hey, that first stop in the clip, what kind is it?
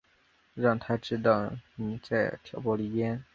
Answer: aspirated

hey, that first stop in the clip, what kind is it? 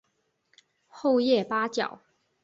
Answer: plain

